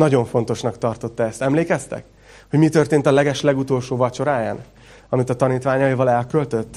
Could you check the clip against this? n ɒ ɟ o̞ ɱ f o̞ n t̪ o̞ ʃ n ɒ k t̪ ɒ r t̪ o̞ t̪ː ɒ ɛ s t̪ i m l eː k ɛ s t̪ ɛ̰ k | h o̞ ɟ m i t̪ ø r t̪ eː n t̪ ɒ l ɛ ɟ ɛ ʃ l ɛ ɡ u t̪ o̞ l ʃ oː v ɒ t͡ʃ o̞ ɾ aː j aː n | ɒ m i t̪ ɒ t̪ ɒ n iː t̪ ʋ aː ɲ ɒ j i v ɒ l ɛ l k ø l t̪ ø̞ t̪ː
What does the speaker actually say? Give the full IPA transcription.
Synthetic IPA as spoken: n ɒ ɟ o̞ ɱ f o̞ n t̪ o̞ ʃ n ɒ k t̪ ɒ r t̪ o̞ t̪ː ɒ ɛ s t̪ ɛ m l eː k ɛ s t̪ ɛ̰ k | h o̞ ɟ m i t̪ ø r t̪ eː n t̪ ɒ l ɛ ɡ ɛ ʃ l ɛ ɡ u t̪ o̞ l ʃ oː v ɒ t͡ʃ o̞ ɾ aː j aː n | ɒ m i t̪ ɒ t̪ ɒ n iː t̪ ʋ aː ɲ ɒ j i v ɒ l ɛ l k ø l t̪ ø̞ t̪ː